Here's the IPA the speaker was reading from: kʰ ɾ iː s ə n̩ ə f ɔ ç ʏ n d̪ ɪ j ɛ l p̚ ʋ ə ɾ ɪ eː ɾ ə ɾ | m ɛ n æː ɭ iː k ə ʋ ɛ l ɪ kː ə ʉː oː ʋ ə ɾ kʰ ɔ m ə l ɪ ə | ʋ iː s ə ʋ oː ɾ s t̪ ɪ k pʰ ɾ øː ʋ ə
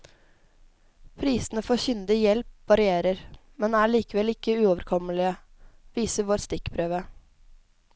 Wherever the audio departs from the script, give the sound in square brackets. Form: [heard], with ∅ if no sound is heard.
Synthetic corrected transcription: [pʰ] ɾ iː s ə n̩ ə f ɔ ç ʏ n d̪ ɪ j ɛ l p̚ ʋ [ɑ] ɾ ɪ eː ɾ ə ɾ | m ɛ n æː ɭ iː k ə ʋ ɛ l ɪ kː ə ʉː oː ʋ ə ɾ kʰ ɔ m ə l ɪ ə | ʋ iː s ə ʋ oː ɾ s t̪ ɪ k pʰ ɾ øː ʋ ə